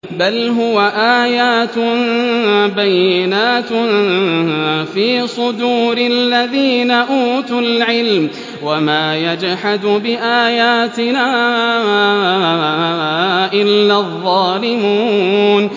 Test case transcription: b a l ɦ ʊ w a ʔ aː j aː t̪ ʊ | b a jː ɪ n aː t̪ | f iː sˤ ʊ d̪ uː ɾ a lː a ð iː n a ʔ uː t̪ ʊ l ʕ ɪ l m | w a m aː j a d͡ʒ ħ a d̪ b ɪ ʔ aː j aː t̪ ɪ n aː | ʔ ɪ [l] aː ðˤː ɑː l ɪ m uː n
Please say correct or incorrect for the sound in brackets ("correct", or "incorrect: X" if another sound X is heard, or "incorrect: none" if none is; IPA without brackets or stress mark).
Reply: incorrect: lː